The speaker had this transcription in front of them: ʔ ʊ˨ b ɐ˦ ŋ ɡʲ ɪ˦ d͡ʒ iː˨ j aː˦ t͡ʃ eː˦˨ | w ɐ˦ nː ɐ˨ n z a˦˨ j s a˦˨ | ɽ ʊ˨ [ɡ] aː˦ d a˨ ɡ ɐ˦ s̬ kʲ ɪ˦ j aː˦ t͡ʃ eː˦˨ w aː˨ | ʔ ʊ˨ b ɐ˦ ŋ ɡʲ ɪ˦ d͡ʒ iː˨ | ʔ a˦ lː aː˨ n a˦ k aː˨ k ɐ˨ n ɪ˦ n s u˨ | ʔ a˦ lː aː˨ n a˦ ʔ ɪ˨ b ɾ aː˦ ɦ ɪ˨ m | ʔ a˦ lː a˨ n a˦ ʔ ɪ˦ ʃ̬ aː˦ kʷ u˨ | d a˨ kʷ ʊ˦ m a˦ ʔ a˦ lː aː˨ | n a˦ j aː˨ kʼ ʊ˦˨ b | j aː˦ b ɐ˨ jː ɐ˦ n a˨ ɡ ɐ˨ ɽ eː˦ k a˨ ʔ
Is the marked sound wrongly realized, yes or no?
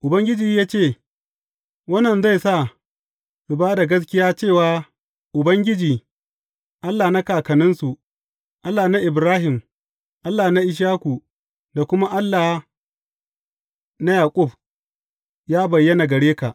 yes